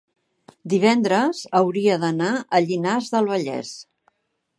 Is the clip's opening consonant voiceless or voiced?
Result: voiced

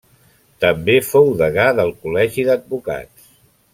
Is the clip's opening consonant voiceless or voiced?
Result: voiceless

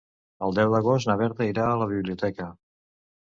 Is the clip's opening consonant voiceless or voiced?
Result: voiced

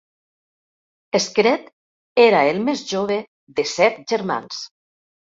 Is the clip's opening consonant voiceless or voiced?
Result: voiceless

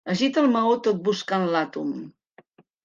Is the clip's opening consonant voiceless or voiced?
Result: voiced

